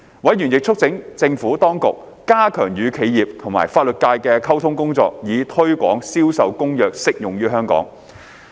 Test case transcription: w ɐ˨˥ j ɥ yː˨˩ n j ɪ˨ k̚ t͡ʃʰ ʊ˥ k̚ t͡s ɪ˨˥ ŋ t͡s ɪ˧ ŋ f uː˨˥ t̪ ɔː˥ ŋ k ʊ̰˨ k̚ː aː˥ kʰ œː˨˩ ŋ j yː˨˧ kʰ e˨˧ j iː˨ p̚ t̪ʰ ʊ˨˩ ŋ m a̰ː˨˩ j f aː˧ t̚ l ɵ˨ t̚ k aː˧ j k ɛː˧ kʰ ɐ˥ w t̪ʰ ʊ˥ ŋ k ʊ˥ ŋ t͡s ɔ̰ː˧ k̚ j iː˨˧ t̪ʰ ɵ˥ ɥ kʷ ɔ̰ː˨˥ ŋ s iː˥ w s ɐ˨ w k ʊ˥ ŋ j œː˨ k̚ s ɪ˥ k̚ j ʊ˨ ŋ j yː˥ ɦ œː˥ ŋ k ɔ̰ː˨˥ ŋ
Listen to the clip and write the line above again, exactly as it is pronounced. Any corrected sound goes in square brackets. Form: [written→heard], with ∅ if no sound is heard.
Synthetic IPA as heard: w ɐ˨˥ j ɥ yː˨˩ n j ɪ˨ k̚ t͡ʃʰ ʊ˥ k̚ t͡s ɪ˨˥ ŋ t͡s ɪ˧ ŋ f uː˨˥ t̪ ɔː˥ ŋ k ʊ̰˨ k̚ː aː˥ kʰ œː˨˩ ŋ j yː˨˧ kʰ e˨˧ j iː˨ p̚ t̪ʰ ʊ˨˩ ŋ m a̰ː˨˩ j f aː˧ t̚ l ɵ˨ t̚ k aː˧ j k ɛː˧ kʰ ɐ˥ w t̪ʰ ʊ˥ ŋ k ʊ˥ ŋ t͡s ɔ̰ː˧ k̚ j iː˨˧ t̪ʰ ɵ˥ ɥ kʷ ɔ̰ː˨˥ ŋ s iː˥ w s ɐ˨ w k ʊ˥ ŋ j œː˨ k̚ s ɪ˥ k̚ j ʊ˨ ŋ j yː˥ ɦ œː˥ ŋ k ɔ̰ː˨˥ ŋ